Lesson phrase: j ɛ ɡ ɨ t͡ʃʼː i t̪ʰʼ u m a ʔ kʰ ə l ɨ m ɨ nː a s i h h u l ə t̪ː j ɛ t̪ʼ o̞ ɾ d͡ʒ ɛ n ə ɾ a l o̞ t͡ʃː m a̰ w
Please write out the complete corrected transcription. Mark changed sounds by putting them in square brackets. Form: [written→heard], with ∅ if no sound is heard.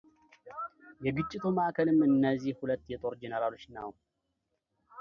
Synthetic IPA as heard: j ɛ ɡ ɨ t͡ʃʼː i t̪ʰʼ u m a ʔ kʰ ə l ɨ m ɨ nː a [s→z] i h h u l ə t̪ː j ɛ t̪ʼ o̞ ɾ d͡ʒ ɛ n ə ɾ a l o̞ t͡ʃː [m→n] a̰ w